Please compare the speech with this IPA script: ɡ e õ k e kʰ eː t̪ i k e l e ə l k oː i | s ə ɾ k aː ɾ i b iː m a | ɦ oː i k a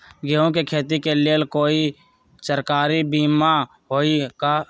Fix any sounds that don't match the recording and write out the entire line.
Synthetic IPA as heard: ɡ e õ k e kʰ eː t̪ i k e l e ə l k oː i | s ə ɾ k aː ɾ i b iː m a | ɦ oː i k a